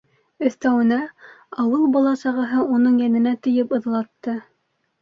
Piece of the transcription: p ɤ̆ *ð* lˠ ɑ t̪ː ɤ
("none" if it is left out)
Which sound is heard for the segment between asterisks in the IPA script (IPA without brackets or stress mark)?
ð